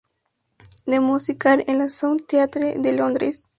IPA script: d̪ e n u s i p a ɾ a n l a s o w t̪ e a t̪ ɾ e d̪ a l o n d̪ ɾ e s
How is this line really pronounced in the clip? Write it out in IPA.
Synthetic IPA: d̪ e m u s i k a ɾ e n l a s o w t̪ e a t̪ ɾ e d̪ e l o n d̪ ɾ e s